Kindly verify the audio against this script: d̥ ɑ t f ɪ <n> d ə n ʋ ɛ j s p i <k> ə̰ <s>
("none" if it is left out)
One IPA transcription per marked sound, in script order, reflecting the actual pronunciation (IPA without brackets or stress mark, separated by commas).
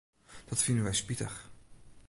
n, t, χ